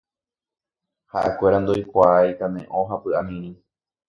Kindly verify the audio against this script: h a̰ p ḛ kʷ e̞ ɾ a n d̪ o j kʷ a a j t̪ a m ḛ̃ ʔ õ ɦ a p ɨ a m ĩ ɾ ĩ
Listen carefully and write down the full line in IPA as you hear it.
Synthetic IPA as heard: h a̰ ʔ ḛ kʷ e̞ ɾ a n d̪ o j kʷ a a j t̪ a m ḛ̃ ʔ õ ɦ a p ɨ a m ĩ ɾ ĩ